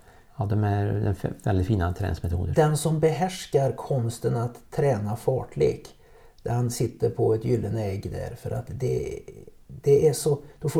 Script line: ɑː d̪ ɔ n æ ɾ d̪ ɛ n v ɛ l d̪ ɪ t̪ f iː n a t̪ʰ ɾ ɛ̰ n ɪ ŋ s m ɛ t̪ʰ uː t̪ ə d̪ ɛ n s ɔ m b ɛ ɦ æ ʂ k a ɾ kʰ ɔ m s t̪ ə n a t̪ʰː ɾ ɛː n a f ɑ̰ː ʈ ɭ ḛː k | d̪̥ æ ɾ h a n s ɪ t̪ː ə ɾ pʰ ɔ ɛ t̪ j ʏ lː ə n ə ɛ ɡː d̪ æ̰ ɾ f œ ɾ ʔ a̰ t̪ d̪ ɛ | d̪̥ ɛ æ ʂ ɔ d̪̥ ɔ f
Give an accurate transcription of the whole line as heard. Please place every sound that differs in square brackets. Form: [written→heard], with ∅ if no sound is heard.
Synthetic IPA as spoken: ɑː d̪ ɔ [n→m] æ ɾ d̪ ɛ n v ɛ l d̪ ɪ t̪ f iː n a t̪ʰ ɾ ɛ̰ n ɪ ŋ s m ɛ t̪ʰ uː [t̪→d̪] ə d̪ ɛ n s ɔ m b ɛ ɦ æ ʂ k a ɾ kʰ ɔ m s t̪ ə n a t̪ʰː ɾ ɛː n a f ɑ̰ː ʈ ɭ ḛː k | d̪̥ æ ɾ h a n s ɪ t̪ː ə ɾ pʰ ɔ ɛ t̪ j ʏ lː ə n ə ɛ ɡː d̪ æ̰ ɾ f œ ɾ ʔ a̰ t̪ d̪ ɛ | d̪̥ ɛ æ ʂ ɔ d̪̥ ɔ f